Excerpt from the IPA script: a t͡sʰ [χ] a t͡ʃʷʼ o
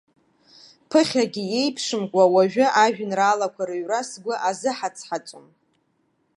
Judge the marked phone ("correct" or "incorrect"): incorrect